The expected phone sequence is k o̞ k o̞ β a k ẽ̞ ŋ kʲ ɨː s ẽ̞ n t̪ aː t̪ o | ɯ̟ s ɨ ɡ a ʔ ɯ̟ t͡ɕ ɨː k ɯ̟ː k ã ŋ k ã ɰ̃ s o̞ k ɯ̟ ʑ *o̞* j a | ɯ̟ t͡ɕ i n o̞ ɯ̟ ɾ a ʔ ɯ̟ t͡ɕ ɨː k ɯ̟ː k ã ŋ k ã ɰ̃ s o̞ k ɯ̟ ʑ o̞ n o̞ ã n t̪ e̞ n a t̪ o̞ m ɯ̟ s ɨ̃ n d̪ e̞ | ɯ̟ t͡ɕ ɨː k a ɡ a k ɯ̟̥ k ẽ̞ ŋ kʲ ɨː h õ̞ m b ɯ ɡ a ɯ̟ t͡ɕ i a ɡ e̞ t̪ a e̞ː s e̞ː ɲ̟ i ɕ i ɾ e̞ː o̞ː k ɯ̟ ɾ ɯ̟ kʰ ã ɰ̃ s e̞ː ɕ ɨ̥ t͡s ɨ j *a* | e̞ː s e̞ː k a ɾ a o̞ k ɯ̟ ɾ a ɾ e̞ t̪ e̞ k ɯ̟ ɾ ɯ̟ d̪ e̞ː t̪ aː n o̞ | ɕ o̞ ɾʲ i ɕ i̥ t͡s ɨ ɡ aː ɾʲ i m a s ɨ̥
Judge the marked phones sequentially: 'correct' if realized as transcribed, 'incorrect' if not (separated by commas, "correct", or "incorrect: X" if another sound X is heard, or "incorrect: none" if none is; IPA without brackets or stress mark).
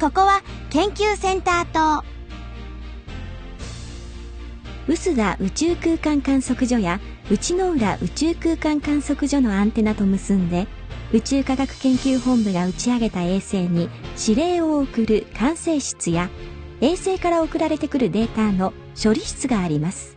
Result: correct, correct